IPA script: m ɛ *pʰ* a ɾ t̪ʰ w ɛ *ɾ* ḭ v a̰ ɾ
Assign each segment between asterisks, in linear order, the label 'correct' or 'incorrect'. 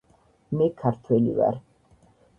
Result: incorrect, incorrect

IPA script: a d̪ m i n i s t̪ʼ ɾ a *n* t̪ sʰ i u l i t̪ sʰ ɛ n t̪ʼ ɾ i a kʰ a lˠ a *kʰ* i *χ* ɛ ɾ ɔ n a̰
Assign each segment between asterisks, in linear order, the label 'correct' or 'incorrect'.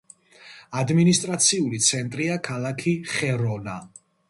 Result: incorrect, correct, correct

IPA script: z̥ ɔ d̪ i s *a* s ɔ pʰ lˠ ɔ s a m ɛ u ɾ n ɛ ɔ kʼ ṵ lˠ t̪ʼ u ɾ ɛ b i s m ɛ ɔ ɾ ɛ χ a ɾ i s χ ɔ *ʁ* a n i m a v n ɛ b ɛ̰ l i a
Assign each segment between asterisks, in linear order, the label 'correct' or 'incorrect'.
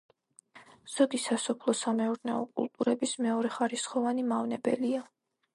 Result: correct, incorrect

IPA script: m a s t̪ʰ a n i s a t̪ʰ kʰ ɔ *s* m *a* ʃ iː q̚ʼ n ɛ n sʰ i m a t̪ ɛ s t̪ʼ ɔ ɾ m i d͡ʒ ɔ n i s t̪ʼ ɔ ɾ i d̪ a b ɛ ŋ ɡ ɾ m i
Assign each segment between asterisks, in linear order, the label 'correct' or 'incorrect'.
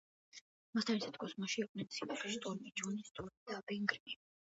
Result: correct, correct

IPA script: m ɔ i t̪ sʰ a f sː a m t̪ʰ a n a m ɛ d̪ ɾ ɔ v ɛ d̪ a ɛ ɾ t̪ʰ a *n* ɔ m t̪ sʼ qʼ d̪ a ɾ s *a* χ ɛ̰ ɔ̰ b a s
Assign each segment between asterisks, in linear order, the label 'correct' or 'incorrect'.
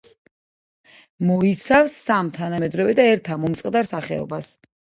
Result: incorrect, correct

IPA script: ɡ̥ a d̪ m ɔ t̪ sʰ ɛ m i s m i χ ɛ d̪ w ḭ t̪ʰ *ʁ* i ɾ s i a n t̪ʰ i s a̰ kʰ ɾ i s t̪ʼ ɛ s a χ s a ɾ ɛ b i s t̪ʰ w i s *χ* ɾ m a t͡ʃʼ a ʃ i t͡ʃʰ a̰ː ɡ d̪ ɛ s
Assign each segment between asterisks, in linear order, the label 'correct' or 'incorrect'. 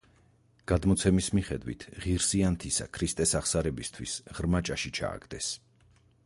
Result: correct, incorrect

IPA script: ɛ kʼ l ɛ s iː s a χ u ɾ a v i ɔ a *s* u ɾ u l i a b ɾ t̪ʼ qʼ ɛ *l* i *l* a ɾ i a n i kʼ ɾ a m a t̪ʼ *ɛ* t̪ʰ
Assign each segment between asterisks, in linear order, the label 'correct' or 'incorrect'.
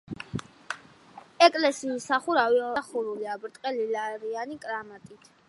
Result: incorrect, correct, correct, incorrect

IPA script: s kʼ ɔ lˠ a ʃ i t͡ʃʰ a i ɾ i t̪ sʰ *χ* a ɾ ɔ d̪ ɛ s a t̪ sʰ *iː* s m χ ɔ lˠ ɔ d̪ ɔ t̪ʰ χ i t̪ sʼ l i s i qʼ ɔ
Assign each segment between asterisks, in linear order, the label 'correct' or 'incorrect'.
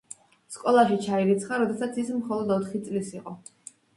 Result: correct, incorrect

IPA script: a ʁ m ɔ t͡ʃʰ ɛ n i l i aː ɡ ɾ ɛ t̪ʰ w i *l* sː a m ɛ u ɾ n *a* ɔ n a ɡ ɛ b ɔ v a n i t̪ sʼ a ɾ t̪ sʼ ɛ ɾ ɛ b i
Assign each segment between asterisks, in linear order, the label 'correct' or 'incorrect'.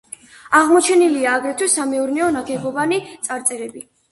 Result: incorrect, incorrect

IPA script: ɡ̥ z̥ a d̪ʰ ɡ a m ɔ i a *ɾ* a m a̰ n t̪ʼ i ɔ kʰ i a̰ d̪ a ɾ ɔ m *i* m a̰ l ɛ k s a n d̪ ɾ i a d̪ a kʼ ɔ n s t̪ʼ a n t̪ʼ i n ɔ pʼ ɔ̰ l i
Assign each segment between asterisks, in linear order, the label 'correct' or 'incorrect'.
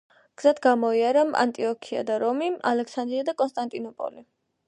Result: correct, correct

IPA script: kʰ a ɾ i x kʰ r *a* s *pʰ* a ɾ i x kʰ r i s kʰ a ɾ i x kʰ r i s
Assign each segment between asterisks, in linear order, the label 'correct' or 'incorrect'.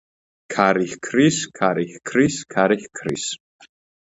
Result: incorrect, incorrect

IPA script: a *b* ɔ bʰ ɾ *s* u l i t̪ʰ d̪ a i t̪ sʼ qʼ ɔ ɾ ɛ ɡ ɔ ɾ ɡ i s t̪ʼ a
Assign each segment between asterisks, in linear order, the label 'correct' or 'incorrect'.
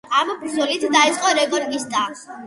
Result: incorrect, incorrect

